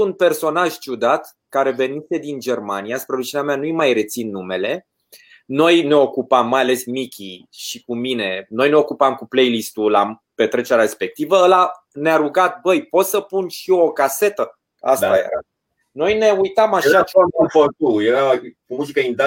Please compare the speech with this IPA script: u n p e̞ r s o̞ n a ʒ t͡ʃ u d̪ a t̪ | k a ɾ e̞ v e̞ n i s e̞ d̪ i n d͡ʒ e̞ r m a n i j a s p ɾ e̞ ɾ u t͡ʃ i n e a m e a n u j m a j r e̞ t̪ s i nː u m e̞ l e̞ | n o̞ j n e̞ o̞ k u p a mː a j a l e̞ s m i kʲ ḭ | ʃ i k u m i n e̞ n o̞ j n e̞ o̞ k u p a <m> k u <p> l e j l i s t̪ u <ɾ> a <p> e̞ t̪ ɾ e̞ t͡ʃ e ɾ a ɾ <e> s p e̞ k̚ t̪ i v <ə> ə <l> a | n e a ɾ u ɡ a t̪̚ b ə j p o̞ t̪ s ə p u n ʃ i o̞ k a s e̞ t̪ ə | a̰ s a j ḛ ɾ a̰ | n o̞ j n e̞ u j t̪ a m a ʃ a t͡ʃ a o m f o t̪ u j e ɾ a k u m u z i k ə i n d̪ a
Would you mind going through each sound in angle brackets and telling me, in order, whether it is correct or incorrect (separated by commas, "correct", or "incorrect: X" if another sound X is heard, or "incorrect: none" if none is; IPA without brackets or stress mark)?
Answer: correct, correct, incorrect: l, correct, correct, correct, correct